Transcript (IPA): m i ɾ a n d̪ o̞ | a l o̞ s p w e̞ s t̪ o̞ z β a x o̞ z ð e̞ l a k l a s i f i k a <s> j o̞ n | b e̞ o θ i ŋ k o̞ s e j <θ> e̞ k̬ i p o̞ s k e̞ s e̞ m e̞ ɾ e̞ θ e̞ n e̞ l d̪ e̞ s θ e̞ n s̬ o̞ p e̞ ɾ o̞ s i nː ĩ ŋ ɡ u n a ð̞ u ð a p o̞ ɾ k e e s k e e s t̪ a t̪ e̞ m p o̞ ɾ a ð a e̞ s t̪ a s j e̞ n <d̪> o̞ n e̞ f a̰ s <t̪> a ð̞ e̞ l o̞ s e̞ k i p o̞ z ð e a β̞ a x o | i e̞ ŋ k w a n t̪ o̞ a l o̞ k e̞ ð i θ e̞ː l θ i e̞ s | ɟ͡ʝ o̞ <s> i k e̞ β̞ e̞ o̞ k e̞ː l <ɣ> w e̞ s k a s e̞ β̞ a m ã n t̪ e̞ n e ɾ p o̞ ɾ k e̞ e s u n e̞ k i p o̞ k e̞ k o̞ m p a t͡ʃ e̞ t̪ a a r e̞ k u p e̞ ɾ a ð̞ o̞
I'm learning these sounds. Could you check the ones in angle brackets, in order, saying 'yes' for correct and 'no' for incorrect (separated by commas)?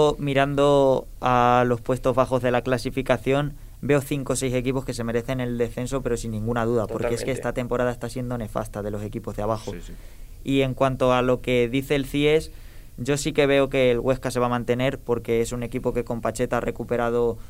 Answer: no, no, yes, yes, yes, yes